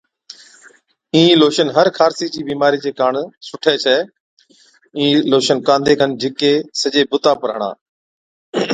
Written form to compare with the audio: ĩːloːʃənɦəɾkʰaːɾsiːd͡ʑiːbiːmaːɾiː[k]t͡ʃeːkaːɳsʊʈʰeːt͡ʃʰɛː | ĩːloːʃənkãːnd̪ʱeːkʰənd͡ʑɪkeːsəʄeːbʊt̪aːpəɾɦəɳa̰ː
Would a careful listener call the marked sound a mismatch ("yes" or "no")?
yes